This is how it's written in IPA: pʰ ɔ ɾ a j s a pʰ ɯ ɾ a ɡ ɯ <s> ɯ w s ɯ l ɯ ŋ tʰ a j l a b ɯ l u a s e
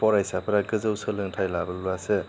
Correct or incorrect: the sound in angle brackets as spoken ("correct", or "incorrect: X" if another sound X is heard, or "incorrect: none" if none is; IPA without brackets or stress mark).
incorrect: z